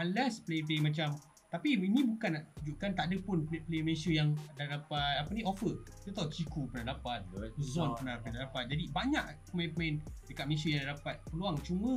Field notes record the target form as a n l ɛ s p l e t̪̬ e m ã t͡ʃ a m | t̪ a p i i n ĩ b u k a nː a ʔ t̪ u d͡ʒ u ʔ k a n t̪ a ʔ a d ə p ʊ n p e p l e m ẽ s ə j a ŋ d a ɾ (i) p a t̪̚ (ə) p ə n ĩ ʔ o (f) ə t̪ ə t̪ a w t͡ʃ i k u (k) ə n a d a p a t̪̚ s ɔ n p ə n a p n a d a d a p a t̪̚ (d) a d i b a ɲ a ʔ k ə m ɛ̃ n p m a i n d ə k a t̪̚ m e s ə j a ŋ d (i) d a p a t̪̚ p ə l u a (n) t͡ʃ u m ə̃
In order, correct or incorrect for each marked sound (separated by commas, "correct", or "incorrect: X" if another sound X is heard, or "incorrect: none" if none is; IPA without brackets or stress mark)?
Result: incorrect: a, incorrect: a, correct, incorrect: p, incorrect: d͡ʒ, incorrect: a, incorrect: ŋ